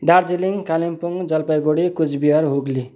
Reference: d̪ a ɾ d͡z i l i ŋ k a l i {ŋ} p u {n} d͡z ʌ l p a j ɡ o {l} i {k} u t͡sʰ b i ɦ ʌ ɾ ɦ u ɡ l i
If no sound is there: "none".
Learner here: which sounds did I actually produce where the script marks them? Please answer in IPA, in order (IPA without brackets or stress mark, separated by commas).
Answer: m, ŋ, ɽ, k